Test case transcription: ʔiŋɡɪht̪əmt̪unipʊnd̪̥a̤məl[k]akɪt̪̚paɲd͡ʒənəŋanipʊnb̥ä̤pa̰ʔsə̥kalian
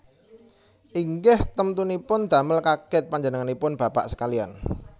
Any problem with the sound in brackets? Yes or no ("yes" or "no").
no